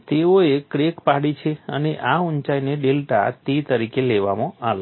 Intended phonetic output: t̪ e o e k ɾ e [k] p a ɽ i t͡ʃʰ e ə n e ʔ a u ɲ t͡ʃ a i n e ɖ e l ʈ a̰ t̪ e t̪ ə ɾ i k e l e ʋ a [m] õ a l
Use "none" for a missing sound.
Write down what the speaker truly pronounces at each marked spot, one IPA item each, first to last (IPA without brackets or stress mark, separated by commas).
k, m